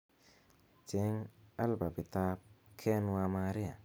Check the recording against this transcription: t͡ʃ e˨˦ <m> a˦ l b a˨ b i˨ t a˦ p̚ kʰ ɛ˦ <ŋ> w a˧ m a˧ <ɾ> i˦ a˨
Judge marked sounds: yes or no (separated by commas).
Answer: no, no, yes